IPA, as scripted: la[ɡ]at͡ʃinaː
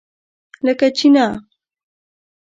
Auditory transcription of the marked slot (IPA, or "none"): k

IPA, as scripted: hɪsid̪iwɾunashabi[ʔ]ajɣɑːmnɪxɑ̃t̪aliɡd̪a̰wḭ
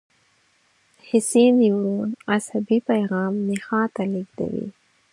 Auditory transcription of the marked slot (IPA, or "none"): p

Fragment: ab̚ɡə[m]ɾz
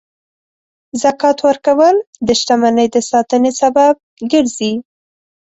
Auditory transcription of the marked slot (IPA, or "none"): none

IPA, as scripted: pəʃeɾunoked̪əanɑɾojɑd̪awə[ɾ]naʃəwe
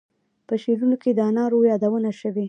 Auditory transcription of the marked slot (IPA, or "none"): none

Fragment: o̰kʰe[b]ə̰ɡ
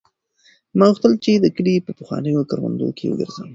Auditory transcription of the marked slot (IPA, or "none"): w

